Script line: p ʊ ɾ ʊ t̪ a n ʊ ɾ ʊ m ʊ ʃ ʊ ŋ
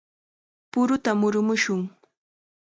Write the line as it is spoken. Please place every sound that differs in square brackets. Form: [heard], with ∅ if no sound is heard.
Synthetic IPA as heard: p ʊ ɾ ʊ t̪ a [m] ʊ ɾ ʊ m ʊ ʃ ʊ ŋ